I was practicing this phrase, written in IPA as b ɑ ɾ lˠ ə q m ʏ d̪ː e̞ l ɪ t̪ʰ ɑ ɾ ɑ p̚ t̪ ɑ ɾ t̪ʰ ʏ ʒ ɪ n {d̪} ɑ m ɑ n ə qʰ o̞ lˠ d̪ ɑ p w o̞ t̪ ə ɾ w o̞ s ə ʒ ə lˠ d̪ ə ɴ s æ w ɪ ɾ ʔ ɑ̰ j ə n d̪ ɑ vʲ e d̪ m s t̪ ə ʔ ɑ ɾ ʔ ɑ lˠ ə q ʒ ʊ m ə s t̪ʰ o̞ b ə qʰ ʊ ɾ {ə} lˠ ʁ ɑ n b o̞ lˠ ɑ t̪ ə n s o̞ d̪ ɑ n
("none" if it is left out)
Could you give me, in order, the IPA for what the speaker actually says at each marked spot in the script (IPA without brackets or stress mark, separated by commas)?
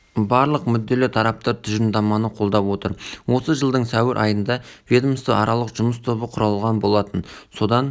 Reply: d̪, ɑ